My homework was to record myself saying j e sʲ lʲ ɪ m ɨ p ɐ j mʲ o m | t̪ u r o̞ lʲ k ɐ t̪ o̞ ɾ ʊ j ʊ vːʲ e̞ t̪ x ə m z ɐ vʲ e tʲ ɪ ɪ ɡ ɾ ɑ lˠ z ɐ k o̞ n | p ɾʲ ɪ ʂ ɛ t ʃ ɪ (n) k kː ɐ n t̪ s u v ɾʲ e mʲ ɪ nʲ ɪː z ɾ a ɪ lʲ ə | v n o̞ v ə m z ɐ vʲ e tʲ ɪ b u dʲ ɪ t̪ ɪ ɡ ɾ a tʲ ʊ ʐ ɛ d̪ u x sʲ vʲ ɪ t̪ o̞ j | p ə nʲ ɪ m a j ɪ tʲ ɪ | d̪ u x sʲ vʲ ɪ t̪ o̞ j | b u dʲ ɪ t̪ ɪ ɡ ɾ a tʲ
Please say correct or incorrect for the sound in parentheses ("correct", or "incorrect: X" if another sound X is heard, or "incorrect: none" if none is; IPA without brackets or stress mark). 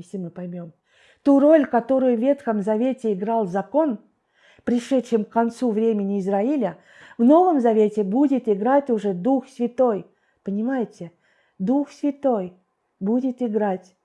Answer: incorrect: m